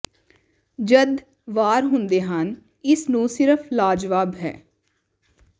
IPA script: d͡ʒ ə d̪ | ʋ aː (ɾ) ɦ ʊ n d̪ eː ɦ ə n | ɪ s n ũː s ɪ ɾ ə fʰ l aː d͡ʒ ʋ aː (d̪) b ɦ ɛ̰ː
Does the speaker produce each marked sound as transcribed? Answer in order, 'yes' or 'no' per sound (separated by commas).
yes, no